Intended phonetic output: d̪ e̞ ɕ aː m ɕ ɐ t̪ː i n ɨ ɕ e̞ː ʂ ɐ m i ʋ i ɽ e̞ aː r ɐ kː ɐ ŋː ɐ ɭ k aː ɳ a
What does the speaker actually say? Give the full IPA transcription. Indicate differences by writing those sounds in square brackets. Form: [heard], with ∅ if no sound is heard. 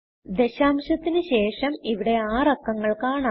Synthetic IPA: d̪ e̞ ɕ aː m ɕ ɐ t̪ː i n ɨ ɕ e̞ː ʂ ɐ m i ʋ i ɽ e̞ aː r ɐ kː ɐ ŋː ɐ ɭ k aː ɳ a